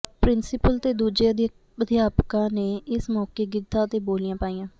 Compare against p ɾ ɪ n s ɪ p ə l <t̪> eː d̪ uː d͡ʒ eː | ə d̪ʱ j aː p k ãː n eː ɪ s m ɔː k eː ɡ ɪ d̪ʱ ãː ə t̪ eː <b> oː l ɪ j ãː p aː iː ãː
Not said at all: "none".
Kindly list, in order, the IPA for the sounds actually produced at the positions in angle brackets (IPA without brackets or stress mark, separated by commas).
t̪, b